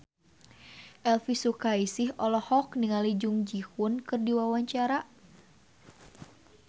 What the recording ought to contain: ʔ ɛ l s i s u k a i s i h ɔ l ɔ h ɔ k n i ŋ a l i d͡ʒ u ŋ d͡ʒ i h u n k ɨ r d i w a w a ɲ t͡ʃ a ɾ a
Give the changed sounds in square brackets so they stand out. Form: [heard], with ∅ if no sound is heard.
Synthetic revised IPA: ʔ ɛ l [f] i s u k a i s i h ɔ l ɔ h ɔ k n i ŋ a l i d͡ʒ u ŋ d͡ʒ i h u n k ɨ r d i w a w a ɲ t͡ʃ a ɾ a